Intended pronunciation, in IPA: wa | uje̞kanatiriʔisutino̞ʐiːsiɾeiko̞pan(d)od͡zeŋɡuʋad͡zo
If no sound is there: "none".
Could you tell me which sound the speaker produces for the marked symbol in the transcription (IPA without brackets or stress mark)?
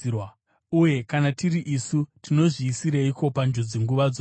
d͡ʒ